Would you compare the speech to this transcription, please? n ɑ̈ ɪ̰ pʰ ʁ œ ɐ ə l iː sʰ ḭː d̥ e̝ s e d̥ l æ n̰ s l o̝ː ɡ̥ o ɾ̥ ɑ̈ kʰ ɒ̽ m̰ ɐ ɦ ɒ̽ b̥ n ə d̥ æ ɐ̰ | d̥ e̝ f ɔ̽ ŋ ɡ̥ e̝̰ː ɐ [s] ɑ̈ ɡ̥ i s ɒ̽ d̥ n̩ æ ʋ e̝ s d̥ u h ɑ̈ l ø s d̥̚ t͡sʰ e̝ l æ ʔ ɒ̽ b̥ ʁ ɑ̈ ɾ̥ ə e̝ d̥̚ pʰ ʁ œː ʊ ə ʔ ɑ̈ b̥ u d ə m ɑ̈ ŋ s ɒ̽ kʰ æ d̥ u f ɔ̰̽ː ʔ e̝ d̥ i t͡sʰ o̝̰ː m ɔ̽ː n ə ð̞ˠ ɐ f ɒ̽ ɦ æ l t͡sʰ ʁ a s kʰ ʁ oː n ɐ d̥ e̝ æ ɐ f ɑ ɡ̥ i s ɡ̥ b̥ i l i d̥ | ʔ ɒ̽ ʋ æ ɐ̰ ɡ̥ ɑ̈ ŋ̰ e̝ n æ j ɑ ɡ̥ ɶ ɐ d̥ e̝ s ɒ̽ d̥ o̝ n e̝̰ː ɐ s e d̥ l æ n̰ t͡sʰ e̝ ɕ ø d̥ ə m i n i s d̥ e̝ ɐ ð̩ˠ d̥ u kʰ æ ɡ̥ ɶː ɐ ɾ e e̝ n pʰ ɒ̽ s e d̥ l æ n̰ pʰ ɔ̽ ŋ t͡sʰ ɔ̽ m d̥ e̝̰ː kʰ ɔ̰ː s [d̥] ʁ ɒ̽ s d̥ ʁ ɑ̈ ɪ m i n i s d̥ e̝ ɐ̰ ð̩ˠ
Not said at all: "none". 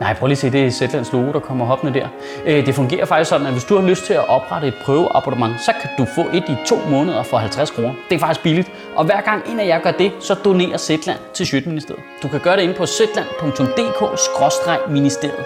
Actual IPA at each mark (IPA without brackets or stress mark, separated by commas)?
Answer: f, ɡ̥